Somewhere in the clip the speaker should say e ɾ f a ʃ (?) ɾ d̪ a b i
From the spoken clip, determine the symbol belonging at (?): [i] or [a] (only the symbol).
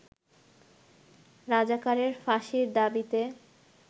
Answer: i